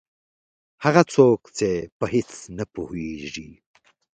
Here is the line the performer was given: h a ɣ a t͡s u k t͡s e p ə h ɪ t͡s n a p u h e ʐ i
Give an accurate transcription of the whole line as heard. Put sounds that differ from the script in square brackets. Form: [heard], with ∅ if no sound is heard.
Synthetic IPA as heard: h a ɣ a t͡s [o] k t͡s e p ə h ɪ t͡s n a p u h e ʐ i